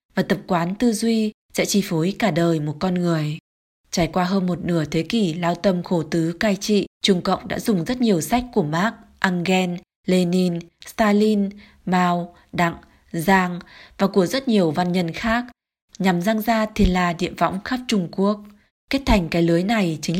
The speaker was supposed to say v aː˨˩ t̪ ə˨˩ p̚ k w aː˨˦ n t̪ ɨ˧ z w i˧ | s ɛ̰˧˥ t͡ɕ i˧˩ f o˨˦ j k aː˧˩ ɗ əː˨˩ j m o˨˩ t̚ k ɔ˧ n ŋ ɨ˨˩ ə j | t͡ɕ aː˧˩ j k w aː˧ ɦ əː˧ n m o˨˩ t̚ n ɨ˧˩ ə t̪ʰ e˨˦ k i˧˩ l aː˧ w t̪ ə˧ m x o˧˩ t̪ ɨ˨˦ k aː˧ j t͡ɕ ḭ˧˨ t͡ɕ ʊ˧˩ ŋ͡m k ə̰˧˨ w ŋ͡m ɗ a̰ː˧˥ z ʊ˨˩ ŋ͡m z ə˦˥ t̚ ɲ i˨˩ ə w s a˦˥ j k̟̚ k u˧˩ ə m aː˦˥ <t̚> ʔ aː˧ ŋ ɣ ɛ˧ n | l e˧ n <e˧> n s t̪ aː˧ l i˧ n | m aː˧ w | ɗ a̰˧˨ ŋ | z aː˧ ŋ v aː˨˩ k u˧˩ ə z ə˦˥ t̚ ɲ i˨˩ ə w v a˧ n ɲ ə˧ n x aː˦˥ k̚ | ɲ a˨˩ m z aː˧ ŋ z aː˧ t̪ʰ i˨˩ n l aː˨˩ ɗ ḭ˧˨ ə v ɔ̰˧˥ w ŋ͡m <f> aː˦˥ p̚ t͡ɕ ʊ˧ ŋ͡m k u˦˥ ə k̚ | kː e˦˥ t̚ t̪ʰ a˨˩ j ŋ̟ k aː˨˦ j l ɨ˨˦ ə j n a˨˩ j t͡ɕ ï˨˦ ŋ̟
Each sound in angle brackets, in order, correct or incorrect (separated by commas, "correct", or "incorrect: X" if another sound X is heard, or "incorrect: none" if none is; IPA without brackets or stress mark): incorrect: k̚, incorrect: i˧, incorrect: x